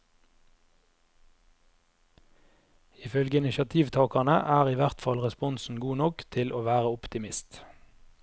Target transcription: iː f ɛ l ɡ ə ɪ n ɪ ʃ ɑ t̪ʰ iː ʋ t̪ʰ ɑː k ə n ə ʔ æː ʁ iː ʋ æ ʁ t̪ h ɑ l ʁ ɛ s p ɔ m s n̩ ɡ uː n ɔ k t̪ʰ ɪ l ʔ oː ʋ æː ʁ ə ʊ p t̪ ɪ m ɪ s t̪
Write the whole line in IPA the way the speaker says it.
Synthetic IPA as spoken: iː f œ l ɡ ə ɪ n ɪ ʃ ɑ t̪ʰ iː ʋ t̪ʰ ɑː k ɑ n ə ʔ æː ʁ iː ʋ æ ʁ t̪ f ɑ l ʁ ɛ s p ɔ n s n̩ ɡ uː n ɔ k t̪ʰ ɪ l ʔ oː ʋ æː ʁ ə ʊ p t̪ ɪ m ɪ s t̪

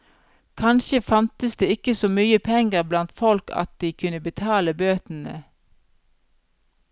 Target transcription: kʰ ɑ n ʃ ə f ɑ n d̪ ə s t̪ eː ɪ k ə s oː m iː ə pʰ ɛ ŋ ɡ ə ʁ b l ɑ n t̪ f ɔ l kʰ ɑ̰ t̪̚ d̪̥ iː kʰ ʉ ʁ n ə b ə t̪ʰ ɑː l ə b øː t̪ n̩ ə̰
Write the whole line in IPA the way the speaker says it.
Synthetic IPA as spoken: kʰ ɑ n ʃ ə f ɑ n t̪ ə s d̪ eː ɪ k ə s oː m yː ə pʰ ɛ ŋ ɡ ə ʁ b l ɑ n t̪ f ɔ l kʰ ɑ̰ t̪̚ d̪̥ iː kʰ ʉ n ə b ə t̪ʰ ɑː l ə b øː t̪ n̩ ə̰

